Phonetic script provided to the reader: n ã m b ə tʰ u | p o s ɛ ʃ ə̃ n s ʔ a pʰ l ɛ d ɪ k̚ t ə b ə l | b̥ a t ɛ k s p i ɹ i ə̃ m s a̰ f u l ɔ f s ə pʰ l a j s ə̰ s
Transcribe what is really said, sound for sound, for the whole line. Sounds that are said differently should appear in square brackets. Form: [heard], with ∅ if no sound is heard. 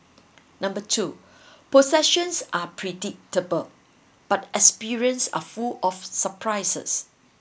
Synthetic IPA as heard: n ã m b ə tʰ u | p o s ɛ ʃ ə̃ n s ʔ a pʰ [ɹ] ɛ d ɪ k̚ t ə b ə l | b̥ a t ɛ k s p i ɹ i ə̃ [n] s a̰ f u l ɔ f s ə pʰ [ɹ] a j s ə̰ s